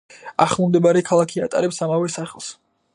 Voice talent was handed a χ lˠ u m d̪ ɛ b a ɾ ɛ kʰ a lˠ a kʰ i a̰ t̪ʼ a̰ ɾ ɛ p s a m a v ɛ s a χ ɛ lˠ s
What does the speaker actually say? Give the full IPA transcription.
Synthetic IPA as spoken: a χ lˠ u m d̪ ɛ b a ɾ ɛ kʰ a lˠ a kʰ i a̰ t̪ʼ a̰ ɾ ɛ p s a m a v ɛ s a χ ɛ lˠ s